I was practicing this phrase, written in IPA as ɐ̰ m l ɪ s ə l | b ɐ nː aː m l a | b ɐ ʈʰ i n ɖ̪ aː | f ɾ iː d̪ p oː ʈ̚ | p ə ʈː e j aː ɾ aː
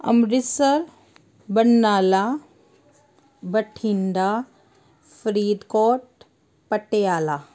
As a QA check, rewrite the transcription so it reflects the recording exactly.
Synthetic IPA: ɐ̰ m ɾ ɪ s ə ɾ | b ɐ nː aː l a | b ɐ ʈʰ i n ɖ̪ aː | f ɾ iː d̪ k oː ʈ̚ | p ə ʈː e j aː l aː

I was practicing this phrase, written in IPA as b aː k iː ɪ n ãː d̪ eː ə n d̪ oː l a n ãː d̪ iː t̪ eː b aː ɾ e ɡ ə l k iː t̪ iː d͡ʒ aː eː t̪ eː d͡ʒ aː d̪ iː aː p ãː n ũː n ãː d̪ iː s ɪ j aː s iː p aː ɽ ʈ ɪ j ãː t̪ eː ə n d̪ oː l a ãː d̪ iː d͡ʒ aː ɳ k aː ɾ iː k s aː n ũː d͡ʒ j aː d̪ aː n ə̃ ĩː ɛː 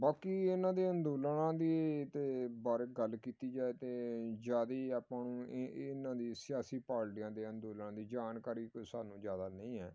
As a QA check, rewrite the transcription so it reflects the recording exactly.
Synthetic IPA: b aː k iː ɪ n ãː d̪ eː ə n d̪ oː l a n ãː d̪ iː t̪ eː b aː ɾ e ɡ ə l k iː t̪ iː d͡ʒ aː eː t̪ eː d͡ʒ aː d̪ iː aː p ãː n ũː n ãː d̪ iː s ɪ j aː s iː p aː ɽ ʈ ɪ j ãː d̪ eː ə n d̪ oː l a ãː d̪ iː d͡ʒ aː n k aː ɾ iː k s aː n ũː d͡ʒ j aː d̪ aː n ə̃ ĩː ɛː

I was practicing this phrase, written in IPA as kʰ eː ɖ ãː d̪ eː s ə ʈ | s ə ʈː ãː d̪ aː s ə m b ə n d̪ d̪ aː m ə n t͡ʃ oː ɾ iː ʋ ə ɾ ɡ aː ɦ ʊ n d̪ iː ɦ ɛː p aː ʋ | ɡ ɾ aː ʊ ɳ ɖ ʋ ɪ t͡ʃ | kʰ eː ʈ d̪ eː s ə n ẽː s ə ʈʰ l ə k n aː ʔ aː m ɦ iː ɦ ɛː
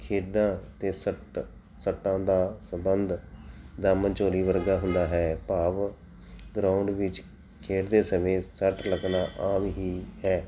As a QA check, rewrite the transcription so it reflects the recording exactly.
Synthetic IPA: kʰ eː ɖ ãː t̪ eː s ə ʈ | s ə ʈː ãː d̪ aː s ə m b ə n d̪ d̪ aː m ə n t͡ʃ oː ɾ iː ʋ ə ɾ ɡ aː ɦ ʊ n d̪ aː ɦ ɛː p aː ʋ | ɡ ɾ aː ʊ ɳ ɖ ʋ ɪ t͡ʃ | kʰ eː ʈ d̪ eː s ə m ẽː s ə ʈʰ l ə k n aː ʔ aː m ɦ iː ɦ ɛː

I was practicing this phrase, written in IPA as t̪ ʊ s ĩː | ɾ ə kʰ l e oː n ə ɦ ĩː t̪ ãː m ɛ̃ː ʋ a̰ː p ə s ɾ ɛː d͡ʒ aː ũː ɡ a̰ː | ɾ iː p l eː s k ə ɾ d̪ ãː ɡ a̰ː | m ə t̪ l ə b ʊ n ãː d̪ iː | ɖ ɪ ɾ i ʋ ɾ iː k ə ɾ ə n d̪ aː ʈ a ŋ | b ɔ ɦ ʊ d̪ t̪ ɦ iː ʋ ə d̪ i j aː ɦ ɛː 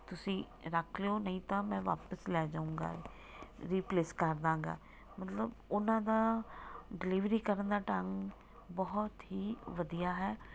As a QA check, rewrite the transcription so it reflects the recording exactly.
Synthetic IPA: t̪ ʊ s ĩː | ɾ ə kʰ l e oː n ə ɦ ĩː t̪ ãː m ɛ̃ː ʋ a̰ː p ə s l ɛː d͡ʒ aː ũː ɡ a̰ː | ɾ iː p l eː s k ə ɾ d̪ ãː ɡ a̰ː | m ə t̪ l ə b ʊ n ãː d̪ aː | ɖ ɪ l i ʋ ɾ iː k ə ɾ ə n d̪ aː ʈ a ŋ | b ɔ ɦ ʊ t̪ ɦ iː ʋ ə d̪ i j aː ɦ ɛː

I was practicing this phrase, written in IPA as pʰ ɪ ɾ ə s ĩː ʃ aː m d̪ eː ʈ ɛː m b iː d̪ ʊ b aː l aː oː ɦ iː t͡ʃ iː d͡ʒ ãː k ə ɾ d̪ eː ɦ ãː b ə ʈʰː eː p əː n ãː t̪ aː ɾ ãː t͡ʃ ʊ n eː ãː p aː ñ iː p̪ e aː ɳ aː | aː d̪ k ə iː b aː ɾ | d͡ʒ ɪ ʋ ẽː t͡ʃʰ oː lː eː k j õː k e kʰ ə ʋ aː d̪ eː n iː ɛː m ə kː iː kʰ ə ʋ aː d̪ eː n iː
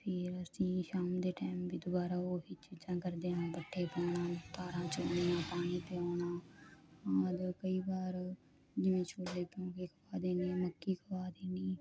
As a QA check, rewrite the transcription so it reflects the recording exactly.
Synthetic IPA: pʰ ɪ ɾ ə s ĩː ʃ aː m d̪ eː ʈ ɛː m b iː d̪ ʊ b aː ɾ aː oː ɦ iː t͡ʃ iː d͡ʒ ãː k ə ɾ d̪ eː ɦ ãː b ə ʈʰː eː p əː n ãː t̪ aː ɾ ãː t͡ʃ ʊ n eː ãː p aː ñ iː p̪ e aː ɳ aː | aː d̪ k ə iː b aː ɾ | d͡ʒ ɪ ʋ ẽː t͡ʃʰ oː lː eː k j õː k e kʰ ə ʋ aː d̪ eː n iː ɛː m ə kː iː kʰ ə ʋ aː d̪ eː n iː

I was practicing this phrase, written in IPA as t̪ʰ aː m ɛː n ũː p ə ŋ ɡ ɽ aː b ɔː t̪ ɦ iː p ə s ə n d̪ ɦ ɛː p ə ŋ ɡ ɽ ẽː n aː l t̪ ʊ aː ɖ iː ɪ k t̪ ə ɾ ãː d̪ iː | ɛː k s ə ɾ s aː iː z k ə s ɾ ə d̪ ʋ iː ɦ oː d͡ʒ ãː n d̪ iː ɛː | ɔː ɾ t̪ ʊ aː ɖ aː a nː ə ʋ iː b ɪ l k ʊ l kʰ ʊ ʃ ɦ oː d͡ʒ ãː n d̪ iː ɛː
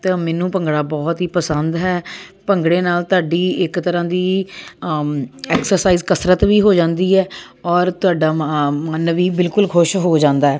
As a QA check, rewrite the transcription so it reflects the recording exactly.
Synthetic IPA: t̪ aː m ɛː n ũː p ə ŋ ɡ ɽ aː b ɔː t̪ ɦ iː p ə s ə n d̪ ɦ ɛː p ə ŋ ɡ ɽ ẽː n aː l t̪ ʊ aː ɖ iː ɪ k t̪ ə ɾ ãː d̪ iː | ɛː k s ə ɾ s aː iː z k ə s ɾ ə t̪ ʋ iː ɦ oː d͡ʒ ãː n d̪ iː ɛː | ɔː ɾ t̪ ʊ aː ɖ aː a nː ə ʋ iː b ɪ l k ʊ l kʰ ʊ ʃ ɦ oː d͡ʒ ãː n d̪ aː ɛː

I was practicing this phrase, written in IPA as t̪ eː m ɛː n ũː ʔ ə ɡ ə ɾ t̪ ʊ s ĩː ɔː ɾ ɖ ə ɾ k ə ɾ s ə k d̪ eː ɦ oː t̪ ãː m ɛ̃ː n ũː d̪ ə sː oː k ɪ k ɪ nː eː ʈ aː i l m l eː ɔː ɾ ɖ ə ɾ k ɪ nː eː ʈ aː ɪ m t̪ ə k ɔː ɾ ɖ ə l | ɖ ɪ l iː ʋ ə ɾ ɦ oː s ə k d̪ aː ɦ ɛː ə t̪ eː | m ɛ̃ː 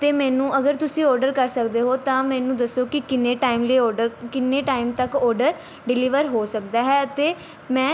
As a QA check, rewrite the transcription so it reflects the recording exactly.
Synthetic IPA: t̪ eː m ɛː n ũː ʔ ə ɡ ə ɾ t̪ ʊ s ĩː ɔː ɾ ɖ ə ɾ k ə ɾ s ə k d̪ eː ɦ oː t̪ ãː m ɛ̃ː n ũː d̪ ə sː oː k ɪ k ɪ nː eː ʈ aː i m l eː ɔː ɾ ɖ ə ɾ k ɪ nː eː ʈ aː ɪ m t̪ ə k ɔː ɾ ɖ ə ɾ | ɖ ɪ l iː ʋ ə ɾ ɦ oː s ə k d̪ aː ɦ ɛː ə t̪ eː | m ɛ̃ː

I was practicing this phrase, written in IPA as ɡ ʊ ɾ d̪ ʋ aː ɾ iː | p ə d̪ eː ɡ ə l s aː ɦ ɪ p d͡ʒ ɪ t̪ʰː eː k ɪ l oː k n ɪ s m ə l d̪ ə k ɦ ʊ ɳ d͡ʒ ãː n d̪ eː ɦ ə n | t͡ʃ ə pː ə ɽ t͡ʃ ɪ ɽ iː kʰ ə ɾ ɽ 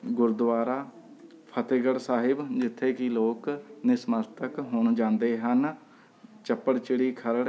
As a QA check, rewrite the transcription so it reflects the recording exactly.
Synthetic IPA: ɡ ʊ ɾ d̪ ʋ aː ɾ aː | pʰ ə t̪ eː ɡ ə ɽ s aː ɦ ɪ b d͡ʒ ɪ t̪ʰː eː k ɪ l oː k n ɪ s m ə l t̪ ə k ɦ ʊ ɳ d͡ʒ ãː n d̪ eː ɦ ə n | t͡ʃ ə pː ə ɽ t͡ʃ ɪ ɽ iː kʰ ə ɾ ɽ

